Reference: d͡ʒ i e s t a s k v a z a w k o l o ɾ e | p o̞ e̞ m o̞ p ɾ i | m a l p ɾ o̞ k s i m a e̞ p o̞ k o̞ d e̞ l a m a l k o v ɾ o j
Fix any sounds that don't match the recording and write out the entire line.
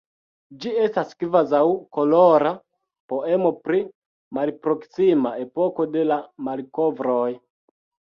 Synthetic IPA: d͡ʒ i e s t a s k v a z a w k o l o ɾ a | p o̞ e̞ m o̞ p ɾ i | m a l p ɾ o̞ k s i m a e̞ p o̞ k o̞ d e̞ l a m a l k o v ɾ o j